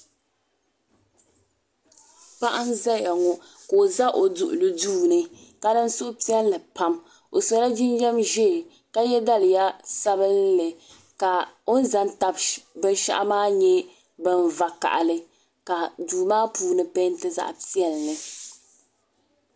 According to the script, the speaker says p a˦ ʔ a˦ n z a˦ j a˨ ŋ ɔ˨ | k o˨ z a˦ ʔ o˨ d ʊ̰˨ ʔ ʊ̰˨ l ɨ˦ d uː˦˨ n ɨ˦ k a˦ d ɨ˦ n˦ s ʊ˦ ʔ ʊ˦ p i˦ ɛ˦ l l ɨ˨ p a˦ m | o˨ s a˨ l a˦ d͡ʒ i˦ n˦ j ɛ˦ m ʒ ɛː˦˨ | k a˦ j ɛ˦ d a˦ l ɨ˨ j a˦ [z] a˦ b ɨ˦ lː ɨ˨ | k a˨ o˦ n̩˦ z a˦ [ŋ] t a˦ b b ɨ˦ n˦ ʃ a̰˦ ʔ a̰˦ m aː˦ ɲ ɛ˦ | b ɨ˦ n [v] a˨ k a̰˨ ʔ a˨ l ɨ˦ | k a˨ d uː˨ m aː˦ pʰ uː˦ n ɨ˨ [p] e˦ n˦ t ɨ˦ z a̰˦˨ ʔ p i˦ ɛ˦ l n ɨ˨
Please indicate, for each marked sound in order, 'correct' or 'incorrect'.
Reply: incorrect, incorrect, correct, correct

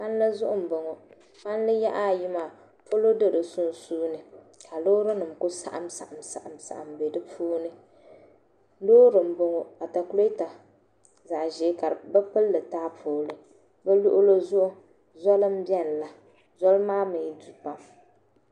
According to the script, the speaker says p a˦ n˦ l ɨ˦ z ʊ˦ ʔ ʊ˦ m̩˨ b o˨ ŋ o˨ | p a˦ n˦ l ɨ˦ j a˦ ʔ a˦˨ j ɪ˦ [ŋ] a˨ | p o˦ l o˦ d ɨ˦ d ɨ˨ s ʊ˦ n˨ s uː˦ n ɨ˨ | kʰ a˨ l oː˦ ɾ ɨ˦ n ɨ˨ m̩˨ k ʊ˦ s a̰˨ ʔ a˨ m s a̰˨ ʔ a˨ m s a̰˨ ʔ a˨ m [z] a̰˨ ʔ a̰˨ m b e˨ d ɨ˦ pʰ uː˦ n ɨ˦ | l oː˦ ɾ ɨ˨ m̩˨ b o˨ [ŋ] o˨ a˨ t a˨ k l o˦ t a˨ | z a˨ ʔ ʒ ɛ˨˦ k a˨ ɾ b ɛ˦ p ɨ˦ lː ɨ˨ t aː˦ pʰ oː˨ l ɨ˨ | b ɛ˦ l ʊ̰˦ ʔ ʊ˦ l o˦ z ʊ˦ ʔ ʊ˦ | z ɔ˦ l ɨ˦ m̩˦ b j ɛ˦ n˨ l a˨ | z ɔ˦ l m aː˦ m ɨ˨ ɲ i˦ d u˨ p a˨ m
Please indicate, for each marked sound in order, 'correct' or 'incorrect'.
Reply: incorrect, incorrect, correct

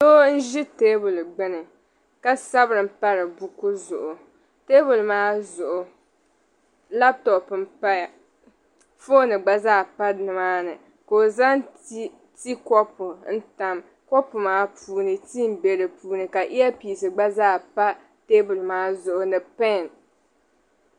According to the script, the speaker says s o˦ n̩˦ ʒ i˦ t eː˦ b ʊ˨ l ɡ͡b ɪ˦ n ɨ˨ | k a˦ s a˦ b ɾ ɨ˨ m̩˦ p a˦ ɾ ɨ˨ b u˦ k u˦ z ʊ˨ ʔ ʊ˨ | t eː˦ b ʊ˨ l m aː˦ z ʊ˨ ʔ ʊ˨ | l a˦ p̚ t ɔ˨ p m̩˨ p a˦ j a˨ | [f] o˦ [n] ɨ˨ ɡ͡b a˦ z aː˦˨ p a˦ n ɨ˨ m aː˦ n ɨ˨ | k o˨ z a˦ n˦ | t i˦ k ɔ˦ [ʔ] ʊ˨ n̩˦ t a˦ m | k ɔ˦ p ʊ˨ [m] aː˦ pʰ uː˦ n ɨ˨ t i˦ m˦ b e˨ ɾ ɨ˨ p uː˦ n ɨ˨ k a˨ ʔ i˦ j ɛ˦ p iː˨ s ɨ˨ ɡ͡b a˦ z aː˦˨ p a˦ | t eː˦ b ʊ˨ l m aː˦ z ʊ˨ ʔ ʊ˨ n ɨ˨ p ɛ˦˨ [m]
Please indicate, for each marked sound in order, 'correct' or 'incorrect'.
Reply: correct, correct, incorrect, correct, incorrect

